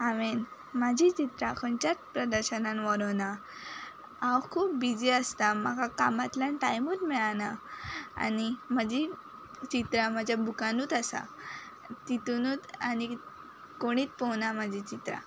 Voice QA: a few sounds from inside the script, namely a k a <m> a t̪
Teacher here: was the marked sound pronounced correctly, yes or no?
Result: yes